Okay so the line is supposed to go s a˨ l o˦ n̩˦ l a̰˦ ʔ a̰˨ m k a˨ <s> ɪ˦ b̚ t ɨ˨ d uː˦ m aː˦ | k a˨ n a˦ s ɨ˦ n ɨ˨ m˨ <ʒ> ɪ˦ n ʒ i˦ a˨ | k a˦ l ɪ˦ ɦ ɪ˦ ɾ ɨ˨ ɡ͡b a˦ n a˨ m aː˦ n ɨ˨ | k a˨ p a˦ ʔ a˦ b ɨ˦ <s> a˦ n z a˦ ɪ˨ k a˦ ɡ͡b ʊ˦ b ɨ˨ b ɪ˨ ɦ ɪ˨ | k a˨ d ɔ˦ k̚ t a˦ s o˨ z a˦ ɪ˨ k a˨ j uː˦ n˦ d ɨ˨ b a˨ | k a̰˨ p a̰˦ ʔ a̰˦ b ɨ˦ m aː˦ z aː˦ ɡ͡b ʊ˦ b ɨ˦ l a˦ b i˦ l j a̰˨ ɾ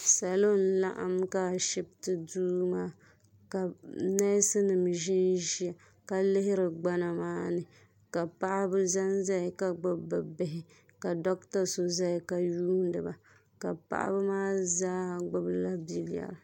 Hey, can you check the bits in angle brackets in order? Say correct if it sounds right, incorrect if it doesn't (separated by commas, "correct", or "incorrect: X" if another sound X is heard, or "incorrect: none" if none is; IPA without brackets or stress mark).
incorrect: ʃ, correct, incorrect: z